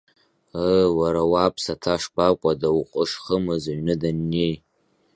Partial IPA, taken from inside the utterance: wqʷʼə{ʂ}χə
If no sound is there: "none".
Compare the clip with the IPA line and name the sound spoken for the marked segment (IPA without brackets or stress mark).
ʂ